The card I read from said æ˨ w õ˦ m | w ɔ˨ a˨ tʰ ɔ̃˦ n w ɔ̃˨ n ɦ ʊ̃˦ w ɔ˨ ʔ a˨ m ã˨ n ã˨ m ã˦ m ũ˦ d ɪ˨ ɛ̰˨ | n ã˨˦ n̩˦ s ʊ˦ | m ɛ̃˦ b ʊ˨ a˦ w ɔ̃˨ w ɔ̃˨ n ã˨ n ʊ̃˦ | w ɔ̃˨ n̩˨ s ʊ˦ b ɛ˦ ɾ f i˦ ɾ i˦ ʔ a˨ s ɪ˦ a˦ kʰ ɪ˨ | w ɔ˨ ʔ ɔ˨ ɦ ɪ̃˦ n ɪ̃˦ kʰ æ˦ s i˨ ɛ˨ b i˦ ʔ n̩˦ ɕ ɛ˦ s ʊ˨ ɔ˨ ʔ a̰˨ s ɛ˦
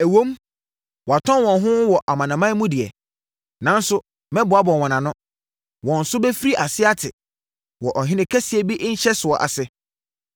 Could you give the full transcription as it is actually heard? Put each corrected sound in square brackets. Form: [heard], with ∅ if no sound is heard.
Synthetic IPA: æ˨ w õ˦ m | w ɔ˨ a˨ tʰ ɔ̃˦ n w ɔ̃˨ n ɦ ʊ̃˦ w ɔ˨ ʔ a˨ m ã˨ n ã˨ m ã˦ m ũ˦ d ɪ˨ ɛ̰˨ | n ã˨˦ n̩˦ s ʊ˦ | m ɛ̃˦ b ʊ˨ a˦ [b] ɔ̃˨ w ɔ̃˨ n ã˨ n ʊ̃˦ | w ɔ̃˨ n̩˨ s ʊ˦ b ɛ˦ [∅] f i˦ ɾ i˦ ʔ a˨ s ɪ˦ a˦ [tʰ] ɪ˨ | w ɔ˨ ʔ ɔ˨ ɦ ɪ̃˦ n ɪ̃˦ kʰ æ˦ s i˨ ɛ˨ b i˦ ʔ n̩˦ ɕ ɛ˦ s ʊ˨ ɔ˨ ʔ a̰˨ s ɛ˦